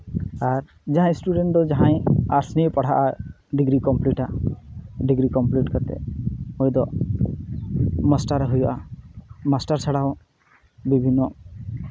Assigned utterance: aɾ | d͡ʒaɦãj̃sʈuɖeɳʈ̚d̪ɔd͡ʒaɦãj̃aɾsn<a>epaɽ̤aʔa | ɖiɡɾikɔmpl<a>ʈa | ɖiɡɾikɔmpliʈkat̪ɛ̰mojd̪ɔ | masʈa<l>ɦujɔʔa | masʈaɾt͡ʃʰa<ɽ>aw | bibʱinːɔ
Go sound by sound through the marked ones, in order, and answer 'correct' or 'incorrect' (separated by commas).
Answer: incorrect, incorrect, incorrect, correct